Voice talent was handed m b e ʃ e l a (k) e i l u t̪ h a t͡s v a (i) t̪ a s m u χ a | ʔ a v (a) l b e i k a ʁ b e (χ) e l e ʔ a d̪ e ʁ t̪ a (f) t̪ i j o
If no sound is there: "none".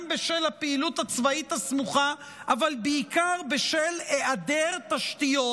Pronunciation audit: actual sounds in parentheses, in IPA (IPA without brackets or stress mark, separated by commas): p, i, a, ʃ, ʃ